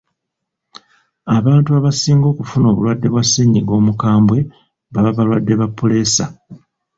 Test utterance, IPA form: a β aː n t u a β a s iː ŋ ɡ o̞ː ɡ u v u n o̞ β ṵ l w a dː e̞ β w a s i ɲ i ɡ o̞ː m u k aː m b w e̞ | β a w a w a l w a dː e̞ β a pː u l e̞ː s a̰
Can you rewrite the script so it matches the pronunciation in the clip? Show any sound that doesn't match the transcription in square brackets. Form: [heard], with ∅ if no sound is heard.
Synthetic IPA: a β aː n t u a β a s iː ŋ ɡ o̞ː [k] u [f] u n o̞ β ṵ l w a dː e̞ β w a s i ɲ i ɡ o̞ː m u k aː m b w e̞ | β a [β] a [β] a l w a dː e̞ β a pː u l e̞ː s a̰